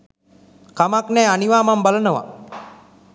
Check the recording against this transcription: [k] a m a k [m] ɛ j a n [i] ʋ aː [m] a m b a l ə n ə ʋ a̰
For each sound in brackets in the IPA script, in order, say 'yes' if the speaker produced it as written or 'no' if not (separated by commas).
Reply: yes, no, yes, yes